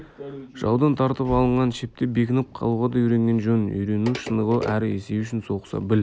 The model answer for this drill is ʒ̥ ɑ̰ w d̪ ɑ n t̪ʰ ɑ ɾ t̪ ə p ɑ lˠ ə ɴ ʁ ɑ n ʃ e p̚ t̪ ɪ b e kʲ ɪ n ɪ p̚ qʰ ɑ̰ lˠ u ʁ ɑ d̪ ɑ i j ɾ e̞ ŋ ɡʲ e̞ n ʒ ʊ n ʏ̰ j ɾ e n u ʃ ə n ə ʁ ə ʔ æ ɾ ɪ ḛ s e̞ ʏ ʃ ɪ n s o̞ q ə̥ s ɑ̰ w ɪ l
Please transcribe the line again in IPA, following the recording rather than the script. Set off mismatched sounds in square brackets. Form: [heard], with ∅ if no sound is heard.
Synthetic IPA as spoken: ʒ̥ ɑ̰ w d̪ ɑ n t̪ʰ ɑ ɾ t̪ ə p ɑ lˠ ə ɴ ʁ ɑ n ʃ e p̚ t̪ ɪ b e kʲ ɪ n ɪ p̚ qʰ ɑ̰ lˠ u ʁ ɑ d̪ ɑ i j ɾ e̞ ŋ ɡʲ e̞ n ʒ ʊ n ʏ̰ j ɾ e n u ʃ ə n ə ʁ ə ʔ æ ɾ ɪ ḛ s e̞ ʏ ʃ ɪ n s o̞ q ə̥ s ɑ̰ [b] ɪ l